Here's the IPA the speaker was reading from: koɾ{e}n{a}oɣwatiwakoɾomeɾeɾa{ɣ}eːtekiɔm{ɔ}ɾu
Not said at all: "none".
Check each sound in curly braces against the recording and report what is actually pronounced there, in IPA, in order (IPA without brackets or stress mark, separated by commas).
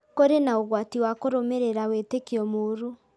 e, a, w, o